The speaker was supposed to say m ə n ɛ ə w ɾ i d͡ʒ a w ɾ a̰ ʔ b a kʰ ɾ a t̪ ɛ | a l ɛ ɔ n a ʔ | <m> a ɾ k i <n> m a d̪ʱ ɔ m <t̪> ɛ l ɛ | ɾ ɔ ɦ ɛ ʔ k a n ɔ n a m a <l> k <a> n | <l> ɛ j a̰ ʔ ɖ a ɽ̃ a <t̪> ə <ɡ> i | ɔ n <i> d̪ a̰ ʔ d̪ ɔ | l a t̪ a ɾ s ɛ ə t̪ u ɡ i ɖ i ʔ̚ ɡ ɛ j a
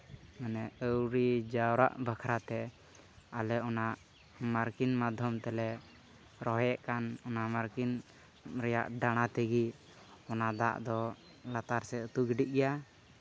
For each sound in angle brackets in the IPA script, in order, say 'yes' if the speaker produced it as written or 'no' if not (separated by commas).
yes, yes, yes, no, no, no, yes, yes, no